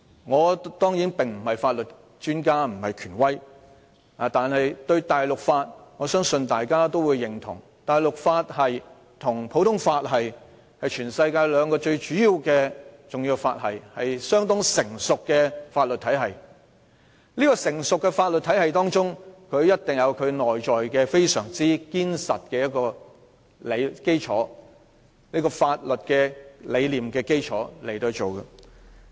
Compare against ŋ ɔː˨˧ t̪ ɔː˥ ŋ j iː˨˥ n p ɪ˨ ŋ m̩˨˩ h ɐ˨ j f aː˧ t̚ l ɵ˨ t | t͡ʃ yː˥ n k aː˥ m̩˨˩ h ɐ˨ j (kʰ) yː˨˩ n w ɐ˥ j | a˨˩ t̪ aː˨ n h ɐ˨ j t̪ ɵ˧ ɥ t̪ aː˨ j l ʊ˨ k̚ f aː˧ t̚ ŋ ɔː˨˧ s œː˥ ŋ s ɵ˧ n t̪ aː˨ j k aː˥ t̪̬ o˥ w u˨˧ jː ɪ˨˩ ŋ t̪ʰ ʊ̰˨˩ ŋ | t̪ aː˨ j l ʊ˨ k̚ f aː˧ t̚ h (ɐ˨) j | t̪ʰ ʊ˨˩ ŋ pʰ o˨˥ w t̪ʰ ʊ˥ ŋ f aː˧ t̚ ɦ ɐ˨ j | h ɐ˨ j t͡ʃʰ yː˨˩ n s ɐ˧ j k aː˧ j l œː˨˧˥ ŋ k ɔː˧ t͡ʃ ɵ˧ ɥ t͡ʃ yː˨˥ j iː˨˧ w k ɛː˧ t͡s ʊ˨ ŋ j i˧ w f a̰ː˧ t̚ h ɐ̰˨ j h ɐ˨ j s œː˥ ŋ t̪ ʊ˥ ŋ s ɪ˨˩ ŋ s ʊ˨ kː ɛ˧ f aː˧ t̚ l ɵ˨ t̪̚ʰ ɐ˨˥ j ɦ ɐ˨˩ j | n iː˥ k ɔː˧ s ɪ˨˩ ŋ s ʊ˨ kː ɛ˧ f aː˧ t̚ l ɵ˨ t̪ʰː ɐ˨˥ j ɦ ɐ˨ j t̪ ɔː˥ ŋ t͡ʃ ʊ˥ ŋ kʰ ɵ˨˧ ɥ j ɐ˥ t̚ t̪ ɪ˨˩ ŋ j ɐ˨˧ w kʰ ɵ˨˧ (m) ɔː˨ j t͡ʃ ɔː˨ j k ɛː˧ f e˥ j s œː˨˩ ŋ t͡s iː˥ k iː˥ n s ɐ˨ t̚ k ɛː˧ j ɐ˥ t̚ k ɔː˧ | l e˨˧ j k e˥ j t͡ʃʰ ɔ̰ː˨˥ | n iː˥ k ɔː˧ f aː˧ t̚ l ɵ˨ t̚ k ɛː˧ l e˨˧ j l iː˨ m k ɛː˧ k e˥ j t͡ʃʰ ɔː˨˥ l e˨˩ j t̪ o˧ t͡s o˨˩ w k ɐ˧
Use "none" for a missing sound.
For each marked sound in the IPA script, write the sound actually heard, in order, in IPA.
kʰ, ɐ˨, n

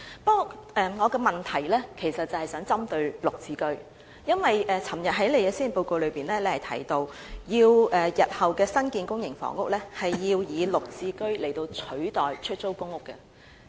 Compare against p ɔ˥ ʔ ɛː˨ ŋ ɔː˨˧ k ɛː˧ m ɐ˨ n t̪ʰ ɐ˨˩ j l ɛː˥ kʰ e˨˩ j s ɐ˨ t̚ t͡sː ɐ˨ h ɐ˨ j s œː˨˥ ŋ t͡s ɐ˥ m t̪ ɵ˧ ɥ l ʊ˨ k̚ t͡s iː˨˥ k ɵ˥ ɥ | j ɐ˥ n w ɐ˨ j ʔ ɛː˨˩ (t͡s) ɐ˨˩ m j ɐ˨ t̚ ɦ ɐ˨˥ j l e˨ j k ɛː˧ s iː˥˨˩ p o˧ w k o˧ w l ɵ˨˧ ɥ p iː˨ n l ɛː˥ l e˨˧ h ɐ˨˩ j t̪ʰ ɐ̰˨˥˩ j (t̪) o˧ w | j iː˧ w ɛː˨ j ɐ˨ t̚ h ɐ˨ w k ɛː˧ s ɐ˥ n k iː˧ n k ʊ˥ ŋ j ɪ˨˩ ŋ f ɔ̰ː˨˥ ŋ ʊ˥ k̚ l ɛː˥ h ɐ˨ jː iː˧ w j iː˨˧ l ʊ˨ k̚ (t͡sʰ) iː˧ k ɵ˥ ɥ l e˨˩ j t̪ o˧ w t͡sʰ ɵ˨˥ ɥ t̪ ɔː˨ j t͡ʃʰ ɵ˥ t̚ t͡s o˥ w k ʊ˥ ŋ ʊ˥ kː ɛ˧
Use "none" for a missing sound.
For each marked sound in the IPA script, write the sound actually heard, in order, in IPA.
t͡sʰ, t̪, t͡s

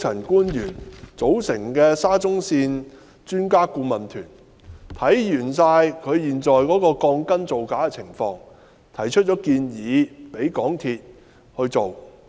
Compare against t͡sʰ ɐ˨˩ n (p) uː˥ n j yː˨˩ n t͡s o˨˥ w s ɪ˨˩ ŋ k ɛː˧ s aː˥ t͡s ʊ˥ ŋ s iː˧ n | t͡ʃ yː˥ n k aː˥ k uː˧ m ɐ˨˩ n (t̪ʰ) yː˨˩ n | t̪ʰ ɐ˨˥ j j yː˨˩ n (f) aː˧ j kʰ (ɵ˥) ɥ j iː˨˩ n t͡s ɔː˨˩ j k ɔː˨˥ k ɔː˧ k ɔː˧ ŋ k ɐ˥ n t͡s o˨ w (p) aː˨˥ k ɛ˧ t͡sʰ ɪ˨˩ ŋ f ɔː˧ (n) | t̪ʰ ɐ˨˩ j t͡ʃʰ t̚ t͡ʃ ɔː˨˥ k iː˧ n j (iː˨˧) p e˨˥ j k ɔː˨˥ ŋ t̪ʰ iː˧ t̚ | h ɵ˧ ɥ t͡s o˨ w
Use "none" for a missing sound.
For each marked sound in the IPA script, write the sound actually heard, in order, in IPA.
k, t̪ʰ, s, ɵ˨˧, k, ŋ, iː˨˧

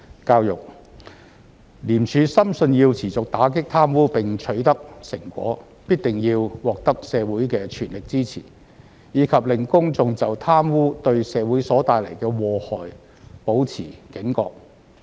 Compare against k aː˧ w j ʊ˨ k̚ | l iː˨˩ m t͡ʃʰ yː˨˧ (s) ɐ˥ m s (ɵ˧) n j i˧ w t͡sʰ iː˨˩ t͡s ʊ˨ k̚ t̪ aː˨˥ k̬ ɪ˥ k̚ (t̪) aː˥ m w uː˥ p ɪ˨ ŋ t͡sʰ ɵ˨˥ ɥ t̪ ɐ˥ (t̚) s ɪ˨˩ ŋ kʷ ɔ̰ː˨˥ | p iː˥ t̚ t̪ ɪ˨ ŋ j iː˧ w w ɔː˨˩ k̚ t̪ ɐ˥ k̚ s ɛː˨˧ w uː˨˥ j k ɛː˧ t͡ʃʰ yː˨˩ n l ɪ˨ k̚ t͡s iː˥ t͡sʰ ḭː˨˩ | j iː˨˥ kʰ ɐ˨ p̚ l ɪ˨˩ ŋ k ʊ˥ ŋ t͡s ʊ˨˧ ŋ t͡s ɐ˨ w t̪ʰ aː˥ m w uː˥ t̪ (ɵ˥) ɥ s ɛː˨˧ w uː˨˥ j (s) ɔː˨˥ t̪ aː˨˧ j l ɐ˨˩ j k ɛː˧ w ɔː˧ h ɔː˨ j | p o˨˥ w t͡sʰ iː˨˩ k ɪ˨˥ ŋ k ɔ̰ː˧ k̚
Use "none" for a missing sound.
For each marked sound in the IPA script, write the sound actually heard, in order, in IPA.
s, ɵ˧, t̪ʰ, k̚, ɵ˧, s

